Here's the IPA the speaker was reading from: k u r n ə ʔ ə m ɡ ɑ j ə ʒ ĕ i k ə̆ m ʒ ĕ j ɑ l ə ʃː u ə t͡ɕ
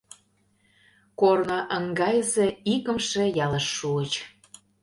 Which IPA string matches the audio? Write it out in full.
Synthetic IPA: k o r n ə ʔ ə ŋ ɡ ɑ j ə z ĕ i k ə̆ m ʃ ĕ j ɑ l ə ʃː u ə t͡ɕ